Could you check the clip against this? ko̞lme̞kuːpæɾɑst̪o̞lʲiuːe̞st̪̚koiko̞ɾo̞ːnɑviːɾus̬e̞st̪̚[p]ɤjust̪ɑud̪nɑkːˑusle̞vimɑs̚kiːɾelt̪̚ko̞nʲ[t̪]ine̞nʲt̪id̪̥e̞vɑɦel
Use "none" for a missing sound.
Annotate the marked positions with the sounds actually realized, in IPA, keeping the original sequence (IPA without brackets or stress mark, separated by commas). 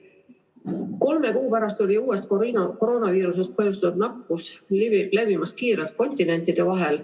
p, t̪